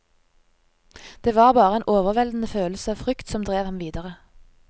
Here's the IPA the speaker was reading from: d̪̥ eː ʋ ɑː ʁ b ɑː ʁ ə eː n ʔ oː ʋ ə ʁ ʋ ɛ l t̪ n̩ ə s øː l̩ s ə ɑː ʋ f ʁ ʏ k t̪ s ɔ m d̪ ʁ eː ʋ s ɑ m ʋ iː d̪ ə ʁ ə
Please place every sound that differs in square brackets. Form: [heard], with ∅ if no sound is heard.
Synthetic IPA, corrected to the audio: d̪̥ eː ʋ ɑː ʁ b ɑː ʁ ə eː n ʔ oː ʋ ə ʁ ʋ ɛ l [d̪] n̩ ə [f] øː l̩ s ə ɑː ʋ f ʁ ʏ k t̪ s ɔ m d̪ ʁ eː ʋ [h] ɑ m ʋ iː d̪ ə ʁ ə